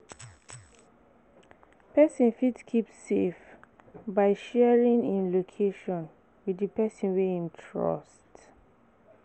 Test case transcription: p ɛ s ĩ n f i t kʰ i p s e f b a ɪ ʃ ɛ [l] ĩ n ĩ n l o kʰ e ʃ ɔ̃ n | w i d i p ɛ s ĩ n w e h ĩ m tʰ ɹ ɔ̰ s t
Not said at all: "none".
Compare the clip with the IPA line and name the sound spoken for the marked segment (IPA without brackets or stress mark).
ɹ